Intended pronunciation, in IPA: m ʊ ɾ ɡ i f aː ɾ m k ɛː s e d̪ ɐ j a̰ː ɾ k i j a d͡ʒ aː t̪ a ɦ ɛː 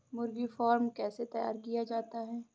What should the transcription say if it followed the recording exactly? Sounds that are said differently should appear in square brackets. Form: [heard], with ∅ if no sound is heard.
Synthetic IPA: m ʊ ɾ ɡ i f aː ɾ m k ɛː s e [t̪] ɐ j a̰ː ɾ k i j a d͡ʒ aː t̪ a ɦ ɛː

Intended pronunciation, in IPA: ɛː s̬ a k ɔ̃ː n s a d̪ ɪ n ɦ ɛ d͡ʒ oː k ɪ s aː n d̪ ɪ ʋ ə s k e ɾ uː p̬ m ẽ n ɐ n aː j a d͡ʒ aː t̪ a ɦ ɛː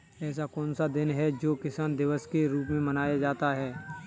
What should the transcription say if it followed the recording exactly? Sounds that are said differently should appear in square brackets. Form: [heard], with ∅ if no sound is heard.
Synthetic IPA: ɛː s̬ a k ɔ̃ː n s a d̪ ɪ n ɦ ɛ d͡ʒ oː k ɪ s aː n d̪ ɪ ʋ ə s k e ɾ uː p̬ m ẽ [m] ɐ n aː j a d͡ʒ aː t̪ a ɦ ɛː

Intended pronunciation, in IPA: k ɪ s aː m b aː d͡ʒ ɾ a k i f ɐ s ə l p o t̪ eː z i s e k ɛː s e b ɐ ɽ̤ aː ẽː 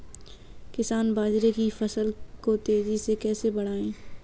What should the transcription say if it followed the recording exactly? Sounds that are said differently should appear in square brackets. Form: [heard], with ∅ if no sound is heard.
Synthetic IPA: k ɪ s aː [n] b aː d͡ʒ ɾ [e] k i f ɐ s ə l [k] o t̪ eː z i s e k ɛː s e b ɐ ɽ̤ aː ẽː

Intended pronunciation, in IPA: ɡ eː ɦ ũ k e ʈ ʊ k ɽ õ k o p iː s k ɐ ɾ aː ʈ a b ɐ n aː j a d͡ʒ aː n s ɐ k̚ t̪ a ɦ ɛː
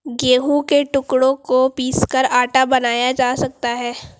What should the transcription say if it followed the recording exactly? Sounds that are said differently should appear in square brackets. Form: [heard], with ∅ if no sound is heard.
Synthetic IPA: ɡ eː ɦ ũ k e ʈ ʊ k ɽ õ k o p iː s k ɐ ɾ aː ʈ a b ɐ n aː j a d͡ʒ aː [∅] s ɐ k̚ t̪ a ɦ ɛː

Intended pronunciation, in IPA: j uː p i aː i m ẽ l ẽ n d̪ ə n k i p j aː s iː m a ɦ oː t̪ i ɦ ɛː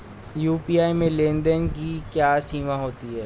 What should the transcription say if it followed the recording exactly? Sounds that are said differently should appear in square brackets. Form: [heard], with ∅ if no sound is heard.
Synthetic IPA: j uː p i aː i m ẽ l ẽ n d̪ ə n k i [k] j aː s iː m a ɦ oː t̪ i ɦ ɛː

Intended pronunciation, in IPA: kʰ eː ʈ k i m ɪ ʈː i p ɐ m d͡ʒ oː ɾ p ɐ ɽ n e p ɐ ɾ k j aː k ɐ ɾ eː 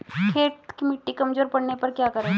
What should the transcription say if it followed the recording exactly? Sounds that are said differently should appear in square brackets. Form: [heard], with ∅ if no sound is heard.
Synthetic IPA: kʰ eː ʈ k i m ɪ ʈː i [k] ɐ m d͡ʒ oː ɾ p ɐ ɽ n e p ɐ ɾ k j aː k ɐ ɾ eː

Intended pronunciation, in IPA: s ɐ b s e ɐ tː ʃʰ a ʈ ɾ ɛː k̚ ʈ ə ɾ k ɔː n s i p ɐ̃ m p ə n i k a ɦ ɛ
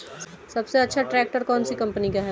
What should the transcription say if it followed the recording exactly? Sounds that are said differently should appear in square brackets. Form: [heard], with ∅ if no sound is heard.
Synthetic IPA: s ɐ b s e ɐ tː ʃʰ a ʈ ɾ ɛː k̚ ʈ ə ɾ k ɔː n s i [k] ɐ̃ m p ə n i k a ɦ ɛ

